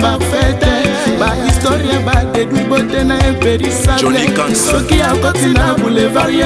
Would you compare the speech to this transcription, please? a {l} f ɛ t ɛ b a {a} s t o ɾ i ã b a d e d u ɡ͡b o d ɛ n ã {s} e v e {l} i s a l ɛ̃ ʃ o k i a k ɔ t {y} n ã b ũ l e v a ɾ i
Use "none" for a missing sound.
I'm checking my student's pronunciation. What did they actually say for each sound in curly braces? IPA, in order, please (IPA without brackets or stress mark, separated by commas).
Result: none, i, none, ɾ, i